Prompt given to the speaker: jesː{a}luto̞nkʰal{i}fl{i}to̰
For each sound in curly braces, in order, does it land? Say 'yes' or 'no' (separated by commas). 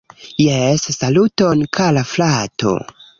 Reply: yes, no, no